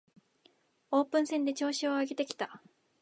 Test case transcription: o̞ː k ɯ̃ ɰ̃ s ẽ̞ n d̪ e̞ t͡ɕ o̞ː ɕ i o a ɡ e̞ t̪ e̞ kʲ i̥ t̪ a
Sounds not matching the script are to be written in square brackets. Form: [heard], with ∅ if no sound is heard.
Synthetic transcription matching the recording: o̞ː [p] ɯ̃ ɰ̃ s ẽ̞ n d̪ e̞ t͡ɕ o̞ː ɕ i o a ɡ e̞ t̪ e̞ kʲ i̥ t̪ a